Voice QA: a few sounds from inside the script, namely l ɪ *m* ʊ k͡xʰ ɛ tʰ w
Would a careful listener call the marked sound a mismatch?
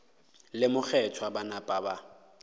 no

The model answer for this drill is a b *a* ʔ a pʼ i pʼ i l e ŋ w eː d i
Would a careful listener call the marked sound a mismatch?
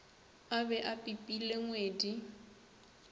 yes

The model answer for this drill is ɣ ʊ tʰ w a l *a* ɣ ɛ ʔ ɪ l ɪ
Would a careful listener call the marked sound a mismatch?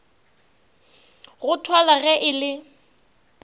no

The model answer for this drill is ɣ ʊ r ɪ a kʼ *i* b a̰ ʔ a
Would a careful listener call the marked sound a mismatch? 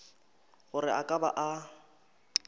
yes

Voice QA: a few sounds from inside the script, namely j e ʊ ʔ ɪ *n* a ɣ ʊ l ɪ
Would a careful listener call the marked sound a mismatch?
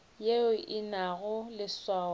no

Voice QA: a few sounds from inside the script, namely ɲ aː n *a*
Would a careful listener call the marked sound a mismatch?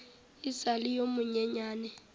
yes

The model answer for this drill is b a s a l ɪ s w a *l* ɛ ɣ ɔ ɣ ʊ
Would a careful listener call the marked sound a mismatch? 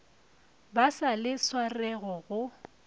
yes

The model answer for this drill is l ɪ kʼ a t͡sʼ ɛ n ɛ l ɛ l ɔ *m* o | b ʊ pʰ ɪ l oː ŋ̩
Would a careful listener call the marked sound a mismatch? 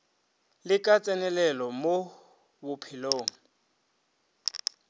no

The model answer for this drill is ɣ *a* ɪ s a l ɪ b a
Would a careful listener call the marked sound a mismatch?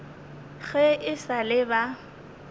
yes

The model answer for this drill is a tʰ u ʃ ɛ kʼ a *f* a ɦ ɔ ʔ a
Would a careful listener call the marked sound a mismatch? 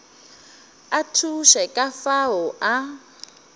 no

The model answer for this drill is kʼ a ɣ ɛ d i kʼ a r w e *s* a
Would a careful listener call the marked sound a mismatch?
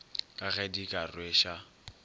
yes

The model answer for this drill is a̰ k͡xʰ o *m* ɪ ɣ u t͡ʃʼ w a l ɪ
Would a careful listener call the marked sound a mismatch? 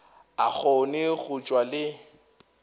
yes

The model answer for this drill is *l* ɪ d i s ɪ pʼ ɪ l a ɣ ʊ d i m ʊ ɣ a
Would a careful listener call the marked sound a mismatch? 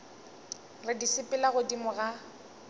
yes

